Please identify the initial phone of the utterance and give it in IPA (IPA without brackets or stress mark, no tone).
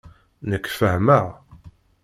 n